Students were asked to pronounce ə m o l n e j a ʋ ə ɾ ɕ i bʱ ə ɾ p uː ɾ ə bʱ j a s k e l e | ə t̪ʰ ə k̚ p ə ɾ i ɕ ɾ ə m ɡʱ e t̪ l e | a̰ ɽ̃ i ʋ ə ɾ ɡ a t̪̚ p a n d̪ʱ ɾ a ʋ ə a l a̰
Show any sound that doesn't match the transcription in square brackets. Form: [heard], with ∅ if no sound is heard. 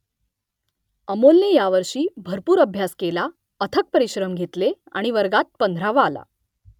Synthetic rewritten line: ə m o l n e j a ʋ ə ɾ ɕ [iː] bʱ ə ɾ p uː ɾ ə bʱ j a s k e l [a] | ə t̪ʰ ə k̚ p ə ɾ i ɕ ɾ ə m ɡʱ e t̪ l e | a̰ ɽ̃ i ʋ ə ɾ ɡ a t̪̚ p [ə] n d̪ʱ ɾ a ʋ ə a l a̰